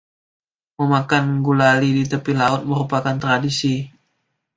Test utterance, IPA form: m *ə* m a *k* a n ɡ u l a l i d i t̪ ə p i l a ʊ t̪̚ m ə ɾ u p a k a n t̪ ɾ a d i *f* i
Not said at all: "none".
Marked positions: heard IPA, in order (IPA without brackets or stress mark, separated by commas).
ə, k, s